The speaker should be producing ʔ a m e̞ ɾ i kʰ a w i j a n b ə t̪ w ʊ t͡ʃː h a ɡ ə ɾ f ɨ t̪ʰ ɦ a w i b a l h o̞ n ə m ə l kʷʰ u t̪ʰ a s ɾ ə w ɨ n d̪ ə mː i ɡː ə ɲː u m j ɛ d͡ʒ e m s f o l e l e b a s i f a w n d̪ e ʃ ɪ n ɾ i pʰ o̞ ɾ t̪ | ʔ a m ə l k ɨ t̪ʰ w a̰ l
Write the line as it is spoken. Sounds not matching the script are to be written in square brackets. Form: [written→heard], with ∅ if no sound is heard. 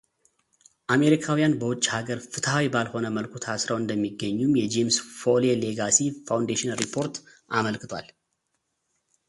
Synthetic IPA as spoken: ʔ a m e̞ ɾ i kʰ a w i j a n b ə [t̪→∅] w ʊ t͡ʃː h a ɡ ə ɾ f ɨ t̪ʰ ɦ a w i b a l h o̞ n ə m ə l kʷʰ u t̪ʰ a s ɾ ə w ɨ n d̪ ə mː i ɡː ə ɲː u m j ɛ d͡ʒ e m s f o l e l e [b→ɡ] a s i f a w n d̪ e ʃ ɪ n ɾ i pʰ o̞ ɾ t̪ | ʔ a m ə l k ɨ t̪ʰ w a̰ l